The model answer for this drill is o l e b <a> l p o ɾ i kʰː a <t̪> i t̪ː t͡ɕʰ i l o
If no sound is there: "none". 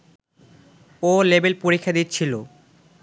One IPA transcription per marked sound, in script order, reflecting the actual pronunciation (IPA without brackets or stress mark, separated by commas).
e, d̪